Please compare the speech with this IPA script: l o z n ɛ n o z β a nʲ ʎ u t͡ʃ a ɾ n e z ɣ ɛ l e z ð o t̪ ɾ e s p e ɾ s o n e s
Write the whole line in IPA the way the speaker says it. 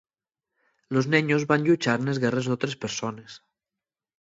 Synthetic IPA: l o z n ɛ ɲ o z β a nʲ ʎ u t͡ʃ a ɾ n e z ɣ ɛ r e z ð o t̪ ɾ e s p e ɾ s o n e s